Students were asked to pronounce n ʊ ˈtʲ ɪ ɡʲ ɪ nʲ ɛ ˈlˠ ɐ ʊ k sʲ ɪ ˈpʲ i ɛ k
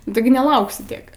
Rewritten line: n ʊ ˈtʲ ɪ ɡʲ ɪ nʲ ɛ ˈlˠ ɐ ʊ k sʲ ɪ ˈtʲ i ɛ k